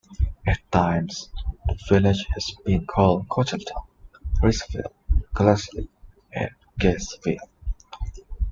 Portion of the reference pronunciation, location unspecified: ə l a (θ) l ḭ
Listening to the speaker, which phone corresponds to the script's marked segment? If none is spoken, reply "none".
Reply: s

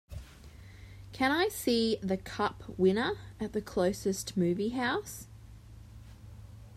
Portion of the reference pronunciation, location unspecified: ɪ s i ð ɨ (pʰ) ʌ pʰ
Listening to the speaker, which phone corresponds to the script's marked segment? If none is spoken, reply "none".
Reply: kʰ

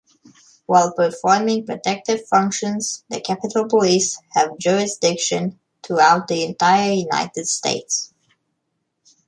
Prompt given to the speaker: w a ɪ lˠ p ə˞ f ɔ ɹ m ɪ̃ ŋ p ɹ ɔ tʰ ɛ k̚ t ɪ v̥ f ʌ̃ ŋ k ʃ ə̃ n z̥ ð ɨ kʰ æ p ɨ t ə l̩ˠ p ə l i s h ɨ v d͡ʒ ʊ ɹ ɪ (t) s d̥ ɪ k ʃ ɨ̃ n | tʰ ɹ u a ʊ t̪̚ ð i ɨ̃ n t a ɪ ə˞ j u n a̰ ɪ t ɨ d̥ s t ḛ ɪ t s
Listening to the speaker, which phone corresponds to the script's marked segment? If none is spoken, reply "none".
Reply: none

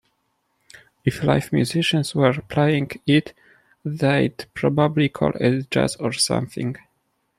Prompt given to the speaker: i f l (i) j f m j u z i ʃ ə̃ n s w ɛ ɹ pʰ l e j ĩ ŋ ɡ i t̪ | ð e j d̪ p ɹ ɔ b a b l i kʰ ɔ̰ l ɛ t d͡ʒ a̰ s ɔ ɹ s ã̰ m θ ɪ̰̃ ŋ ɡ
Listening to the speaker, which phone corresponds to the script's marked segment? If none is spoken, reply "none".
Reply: a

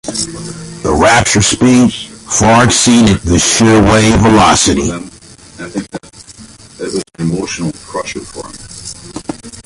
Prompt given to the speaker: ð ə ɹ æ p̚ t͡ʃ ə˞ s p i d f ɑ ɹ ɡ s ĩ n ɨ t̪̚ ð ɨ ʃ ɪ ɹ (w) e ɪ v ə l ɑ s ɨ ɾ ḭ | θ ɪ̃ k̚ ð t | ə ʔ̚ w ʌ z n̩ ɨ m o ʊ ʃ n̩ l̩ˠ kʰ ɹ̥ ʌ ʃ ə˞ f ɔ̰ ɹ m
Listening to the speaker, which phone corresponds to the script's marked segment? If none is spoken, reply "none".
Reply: w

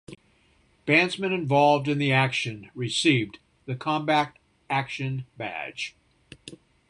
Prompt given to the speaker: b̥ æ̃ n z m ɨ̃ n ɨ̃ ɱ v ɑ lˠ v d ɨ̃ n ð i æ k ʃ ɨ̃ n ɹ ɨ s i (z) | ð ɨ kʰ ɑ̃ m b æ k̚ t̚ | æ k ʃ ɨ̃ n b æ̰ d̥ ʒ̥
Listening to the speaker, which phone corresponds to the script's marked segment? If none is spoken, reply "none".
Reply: v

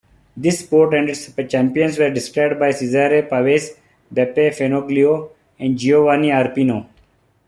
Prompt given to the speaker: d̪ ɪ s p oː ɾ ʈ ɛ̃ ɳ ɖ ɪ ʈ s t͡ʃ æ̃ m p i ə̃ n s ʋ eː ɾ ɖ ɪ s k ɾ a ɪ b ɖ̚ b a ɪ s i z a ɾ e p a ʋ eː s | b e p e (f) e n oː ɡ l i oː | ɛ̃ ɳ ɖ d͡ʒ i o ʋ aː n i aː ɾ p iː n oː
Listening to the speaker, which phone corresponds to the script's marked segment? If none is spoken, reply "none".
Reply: f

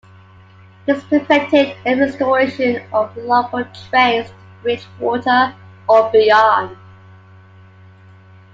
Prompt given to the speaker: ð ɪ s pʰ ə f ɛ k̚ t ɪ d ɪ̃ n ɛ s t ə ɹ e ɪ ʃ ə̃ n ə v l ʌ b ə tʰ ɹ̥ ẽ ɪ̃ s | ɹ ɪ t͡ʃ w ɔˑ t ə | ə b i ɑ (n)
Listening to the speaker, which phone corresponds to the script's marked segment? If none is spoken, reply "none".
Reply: n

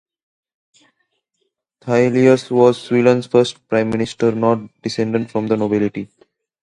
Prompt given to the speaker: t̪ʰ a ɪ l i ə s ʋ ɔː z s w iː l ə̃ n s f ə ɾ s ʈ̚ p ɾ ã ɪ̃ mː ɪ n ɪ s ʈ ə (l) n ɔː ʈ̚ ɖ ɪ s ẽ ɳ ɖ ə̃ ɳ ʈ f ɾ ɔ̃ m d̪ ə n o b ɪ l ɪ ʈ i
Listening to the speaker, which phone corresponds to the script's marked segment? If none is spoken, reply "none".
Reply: ɾ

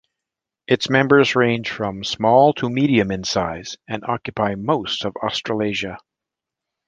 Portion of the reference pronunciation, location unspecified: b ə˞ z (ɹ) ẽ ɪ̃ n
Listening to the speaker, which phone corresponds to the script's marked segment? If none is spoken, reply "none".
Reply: ɹ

